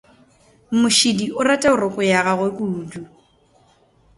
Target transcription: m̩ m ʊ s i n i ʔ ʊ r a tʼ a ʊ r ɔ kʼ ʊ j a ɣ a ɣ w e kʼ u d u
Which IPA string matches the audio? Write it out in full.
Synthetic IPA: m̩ m ʊ ʃ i d i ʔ ʊ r a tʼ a ʊ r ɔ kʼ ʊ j a ɣ a ɣ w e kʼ u d u